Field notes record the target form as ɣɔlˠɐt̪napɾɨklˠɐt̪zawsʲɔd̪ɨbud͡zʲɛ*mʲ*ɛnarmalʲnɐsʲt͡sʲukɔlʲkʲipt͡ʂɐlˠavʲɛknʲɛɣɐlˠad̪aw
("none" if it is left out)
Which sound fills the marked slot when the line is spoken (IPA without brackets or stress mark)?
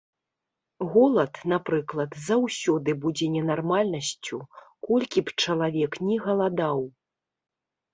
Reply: nʲ